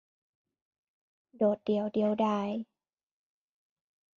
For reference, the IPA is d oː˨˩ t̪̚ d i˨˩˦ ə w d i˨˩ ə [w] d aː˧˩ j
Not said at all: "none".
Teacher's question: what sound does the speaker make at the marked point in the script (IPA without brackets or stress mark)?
w